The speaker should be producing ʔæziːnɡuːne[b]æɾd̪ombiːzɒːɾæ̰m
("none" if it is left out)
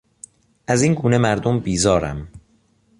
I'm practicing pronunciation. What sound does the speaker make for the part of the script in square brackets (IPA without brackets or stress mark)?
m